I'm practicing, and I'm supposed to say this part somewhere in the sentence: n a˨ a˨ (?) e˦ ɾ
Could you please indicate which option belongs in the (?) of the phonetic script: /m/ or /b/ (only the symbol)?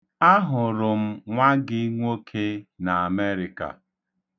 m